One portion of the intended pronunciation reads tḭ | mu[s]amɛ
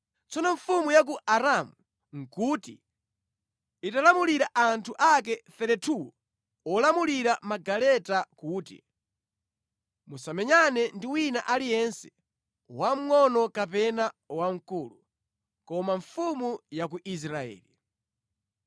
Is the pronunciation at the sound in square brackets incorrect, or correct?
correct